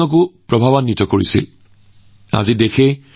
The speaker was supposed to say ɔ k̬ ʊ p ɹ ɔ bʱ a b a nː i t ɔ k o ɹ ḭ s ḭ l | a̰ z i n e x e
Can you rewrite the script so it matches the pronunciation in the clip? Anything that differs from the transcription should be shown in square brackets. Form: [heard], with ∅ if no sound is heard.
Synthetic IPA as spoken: ɔ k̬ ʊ p ɹ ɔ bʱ a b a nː i t ɔ k o ɹ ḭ s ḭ l | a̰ z i [d] e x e